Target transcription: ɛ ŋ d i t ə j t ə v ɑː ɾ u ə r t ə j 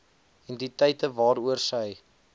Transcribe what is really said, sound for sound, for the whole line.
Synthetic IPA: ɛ n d i t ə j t ə v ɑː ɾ u ə r s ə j